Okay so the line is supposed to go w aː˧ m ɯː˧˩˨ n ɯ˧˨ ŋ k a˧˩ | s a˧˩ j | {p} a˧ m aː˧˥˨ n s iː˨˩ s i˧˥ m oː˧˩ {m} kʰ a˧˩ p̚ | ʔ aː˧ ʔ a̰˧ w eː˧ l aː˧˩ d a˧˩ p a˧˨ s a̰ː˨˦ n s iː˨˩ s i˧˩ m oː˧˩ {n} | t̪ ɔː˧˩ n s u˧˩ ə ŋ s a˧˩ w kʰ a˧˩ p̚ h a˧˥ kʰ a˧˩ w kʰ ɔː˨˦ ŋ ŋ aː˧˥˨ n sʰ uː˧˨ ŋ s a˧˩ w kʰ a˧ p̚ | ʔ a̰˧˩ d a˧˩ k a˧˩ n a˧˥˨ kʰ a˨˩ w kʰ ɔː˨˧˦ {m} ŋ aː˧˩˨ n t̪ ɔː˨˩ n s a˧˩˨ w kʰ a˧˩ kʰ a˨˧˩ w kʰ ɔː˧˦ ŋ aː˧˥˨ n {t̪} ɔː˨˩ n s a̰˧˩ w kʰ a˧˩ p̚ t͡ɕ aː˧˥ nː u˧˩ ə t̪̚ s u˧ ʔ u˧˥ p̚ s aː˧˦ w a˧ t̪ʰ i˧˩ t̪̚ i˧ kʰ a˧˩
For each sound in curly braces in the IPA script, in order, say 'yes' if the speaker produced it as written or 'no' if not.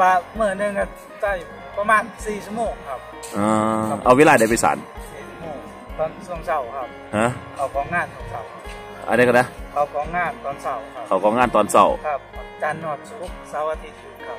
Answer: yes, no, no, no, yes

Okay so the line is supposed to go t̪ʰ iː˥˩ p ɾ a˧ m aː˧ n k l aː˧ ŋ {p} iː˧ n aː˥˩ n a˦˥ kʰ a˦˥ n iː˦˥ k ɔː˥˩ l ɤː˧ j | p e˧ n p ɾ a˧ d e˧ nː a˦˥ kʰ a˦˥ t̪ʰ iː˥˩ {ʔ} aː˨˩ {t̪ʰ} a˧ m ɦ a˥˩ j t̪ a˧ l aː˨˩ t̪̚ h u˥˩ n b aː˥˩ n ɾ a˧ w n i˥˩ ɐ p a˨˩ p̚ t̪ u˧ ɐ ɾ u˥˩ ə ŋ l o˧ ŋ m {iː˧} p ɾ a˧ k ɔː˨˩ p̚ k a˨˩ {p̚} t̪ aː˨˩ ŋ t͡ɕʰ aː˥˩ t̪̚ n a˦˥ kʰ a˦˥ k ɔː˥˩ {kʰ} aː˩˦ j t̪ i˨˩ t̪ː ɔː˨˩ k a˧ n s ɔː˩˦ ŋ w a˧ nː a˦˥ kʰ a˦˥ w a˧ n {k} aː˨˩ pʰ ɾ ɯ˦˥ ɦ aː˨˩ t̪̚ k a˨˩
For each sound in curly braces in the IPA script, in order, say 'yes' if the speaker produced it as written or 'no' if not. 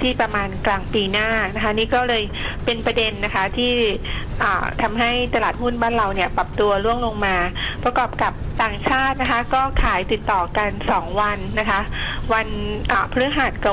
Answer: yes, yes, yes, no, yes, yes, no

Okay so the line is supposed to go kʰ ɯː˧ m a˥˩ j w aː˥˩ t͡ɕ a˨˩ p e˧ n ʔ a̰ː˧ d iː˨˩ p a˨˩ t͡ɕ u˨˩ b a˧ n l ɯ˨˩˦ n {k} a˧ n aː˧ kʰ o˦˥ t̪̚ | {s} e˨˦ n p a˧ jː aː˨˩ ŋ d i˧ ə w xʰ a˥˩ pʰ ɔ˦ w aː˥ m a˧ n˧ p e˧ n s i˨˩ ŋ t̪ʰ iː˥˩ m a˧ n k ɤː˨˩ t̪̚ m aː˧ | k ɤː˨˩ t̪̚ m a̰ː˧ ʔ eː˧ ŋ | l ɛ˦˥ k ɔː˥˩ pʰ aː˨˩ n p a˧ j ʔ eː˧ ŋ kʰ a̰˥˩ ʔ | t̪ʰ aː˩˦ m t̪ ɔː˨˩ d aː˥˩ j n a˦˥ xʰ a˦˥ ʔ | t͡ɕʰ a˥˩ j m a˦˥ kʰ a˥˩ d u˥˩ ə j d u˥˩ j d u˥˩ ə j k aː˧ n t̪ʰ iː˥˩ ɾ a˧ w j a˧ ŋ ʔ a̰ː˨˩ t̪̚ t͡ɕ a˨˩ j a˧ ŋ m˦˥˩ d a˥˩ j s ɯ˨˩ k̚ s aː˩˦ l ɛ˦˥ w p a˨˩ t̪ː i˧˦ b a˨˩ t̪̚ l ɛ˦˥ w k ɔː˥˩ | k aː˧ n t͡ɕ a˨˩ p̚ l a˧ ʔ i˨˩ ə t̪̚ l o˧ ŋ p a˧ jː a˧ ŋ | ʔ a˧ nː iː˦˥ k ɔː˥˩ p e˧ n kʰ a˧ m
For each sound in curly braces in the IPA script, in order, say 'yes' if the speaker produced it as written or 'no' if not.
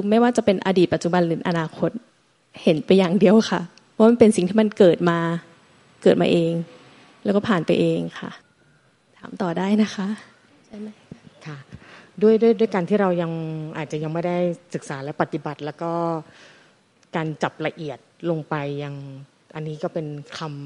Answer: no, no

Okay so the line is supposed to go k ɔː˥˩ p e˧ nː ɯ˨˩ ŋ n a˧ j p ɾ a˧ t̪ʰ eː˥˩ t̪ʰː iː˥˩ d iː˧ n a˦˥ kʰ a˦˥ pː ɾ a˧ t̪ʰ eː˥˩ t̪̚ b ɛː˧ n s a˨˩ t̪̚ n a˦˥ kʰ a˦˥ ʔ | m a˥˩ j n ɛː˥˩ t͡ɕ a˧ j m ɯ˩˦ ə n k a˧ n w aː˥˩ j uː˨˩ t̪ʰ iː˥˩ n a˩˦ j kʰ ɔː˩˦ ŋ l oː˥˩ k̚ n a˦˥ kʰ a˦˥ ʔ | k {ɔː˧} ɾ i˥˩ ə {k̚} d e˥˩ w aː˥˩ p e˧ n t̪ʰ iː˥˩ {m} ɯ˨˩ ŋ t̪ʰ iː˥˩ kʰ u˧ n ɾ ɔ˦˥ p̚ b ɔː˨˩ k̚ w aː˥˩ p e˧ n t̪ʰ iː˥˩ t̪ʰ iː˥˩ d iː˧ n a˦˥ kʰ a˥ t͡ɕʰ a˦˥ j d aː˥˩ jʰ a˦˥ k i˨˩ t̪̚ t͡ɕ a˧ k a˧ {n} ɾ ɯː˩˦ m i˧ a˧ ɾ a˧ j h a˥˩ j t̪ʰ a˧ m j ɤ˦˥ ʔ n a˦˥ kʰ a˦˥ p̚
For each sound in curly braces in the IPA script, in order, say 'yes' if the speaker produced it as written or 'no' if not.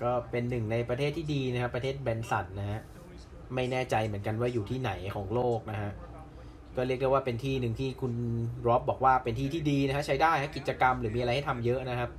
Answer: no, yes, no, no

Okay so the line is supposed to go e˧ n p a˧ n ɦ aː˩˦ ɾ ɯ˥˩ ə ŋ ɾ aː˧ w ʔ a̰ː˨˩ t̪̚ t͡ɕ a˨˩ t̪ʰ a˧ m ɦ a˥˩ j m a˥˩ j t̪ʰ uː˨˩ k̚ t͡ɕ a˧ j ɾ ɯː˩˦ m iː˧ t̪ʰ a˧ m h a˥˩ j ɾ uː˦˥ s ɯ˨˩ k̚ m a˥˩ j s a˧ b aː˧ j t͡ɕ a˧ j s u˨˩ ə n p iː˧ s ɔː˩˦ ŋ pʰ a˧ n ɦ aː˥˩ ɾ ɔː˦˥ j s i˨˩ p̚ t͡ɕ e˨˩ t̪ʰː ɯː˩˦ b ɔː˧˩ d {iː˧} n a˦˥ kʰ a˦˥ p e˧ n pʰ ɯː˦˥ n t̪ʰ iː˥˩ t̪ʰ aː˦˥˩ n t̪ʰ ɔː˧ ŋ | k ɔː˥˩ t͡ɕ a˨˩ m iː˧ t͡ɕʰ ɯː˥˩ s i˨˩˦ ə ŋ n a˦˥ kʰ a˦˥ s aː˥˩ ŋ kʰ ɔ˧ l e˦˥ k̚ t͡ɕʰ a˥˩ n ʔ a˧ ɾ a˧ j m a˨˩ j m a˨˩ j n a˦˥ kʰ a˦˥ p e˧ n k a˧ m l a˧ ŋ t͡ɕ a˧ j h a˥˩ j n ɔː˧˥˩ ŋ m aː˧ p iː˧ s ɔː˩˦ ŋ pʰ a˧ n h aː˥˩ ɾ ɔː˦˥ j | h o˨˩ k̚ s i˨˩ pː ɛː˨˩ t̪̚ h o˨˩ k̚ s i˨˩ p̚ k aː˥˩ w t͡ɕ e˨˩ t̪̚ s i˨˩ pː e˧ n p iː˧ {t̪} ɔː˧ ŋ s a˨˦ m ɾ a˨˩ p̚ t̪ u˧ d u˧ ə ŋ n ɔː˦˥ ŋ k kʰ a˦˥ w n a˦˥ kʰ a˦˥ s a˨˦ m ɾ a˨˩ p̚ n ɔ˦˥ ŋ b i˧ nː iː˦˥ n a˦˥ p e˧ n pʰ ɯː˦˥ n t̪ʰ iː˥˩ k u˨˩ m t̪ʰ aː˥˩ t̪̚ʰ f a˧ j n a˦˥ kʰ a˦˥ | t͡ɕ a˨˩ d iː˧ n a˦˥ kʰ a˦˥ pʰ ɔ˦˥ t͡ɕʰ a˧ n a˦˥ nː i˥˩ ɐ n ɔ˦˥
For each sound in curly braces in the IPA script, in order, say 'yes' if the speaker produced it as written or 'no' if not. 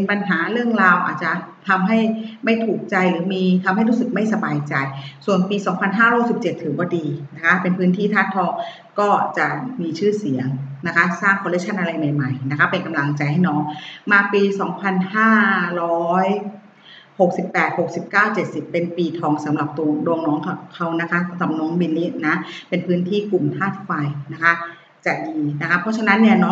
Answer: yes, no

